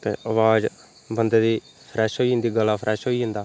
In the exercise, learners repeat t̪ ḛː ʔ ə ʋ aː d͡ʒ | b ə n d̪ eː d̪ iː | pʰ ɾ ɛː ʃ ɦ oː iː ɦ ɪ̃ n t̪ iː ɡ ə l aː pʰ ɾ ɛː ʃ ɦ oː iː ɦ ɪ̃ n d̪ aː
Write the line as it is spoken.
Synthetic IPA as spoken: t̪ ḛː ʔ ə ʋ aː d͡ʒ | b ə n d̪ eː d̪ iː | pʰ ɾ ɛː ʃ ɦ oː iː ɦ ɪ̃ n d̪ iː ɡ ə l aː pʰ ɾ ɛː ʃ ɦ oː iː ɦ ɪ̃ n d̪ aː